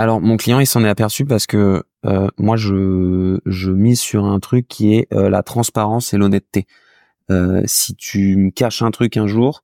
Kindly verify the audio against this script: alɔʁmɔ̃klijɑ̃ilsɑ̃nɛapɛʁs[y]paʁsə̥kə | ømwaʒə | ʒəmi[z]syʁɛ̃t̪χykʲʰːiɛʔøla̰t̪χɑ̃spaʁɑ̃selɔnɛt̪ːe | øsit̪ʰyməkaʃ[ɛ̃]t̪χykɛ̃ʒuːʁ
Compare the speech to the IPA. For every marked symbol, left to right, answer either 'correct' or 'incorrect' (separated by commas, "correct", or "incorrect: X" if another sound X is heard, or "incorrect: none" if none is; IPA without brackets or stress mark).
correct, correct, correct